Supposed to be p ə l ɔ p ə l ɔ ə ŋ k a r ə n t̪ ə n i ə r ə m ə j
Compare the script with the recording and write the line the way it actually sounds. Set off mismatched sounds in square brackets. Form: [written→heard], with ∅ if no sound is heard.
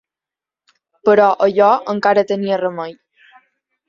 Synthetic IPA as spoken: p ə [l→ɾ] ɔ [p→ʔ] ə [l→ʎ] ɔ ə ŋ k a [r→ɾ] ə [n→∅] t̪ ə n i ə r ə m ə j